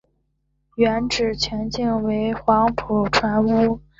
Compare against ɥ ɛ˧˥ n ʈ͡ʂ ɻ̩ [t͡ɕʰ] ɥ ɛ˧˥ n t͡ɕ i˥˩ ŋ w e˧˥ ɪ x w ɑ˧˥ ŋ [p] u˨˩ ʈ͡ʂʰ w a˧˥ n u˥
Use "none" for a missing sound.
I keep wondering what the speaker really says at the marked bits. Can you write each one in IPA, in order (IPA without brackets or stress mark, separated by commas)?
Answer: t͡ɕʰ, pʰ